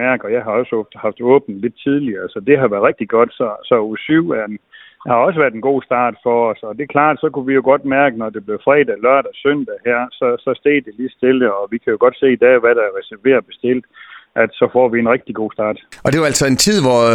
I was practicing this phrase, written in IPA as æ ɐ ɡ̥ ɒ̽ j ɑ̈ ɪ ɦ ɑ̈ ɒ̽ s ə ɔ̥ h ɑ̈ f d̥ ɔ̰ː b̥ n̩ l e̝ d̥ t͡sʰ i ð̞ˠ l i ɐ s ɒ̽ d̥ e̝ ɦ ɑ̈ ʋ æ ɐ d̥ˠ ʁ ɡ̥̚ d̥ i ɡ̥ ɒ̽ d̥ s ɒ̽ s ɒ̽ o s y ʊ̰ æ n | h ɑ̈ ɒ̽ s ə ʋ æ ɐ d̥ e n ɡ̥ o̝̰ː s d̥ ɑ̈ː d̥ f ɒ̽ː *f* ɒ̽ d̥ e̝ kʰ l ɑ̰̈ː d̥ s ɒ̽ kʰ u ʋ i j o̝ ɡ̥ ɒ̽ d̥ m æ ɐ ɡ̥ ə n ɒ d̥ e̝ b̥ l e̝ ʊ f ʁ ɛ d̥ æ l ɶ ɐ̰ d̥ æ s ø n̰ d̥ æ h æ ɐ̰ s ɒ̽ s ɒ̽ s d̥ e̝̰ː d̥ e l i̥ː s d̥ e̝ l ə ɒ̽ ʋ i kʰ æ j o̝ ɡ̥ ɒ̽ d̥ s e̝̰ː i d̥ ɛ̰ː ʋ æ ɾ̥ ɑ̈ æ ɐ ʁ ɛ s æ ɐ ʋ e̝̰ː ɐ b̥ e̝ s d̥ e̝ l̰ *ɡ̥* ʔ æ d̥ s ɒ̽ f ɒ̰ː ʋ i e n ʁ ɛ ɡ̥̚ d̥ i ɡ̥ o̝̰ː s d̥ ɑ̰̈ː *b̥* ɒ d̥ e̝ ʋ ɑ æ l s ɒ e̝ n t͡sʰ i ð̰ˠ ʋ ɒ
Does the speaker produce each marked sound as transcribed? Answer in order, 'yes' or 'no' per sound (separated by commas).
no, no, no